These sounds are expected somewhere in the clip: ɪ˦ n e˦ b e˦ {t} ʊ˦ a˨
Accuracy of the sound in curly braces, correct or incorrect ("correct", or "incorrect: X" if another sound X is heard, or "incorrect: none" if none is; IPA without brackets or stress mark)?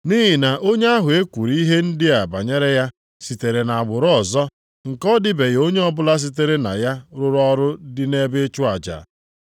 incorrect: t͡ʃ